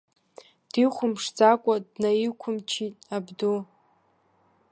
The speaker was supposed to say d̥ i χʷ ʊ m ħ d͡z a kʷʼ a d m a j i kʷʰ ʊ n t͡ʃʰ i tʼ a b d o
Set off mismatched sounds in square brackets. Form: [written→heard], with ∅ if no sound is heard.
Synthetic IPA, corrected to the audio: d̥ i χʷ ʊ m [ħ→ʂ] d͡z a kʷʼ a d [m→n] a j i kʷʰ ʊ [n→m] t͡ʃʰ i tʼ a b d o